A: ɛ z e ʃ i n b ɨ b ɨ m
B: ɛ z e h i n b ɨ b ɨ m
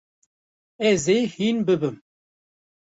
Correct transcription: B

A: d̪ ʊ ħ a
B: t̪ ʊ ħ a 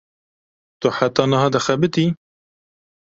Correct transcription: B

